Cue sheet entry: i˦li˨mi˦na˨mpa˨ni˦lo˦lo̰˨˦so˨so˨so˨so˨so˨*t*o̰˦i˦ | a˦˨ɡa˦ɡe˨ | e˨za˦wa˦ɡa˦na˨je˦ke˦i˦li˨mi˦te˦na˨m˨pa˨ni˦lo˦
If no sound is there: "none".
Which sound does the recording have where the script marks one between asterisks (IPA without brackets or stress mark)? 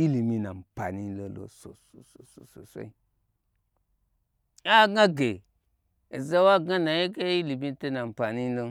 s